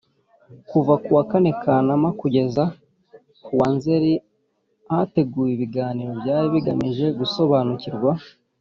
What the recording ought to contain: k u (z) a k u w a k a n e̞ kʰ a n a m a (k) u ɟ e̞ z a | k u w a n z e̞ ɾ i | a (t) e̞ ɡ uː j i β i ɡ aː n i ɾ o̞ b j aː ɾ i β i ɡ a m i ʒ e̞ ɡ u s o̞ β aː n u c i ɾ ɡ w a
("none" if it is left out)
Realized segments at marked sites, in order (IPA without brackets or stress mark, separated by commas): v, k, t